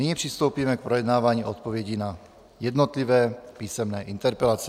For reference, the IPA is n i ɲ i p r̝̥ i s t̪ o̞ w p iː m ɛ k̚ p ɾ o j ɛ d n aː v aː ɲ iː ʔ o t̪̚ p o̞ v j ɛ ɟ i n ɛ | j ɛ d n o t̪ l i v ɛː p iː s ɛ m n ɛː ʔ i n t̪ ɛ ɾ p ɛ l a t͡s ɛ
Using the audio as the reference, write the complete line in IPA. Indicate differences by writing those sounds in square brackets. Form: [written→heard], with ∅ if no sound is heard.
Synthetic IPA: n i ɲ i p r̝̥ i s t̪ o̞ w p iː m ɛ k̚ p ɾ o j ɛ d n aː v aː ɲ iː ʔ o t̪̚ p o̞ v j ɛ ɟ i n [ɛ→a] | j ɛ d n o t̪ l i v ɛː p iː s ɛ m n ɛː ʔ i n t̪ ɛ ɾ p ɛ l a t͡s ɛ